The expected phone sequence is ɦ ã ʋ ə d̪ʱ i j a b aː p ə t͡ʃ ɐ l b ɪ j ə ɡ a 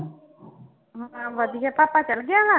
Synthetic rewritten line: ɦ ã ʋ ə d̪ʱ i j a p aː p a t͡ʃ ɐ l ɡ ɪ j a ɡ a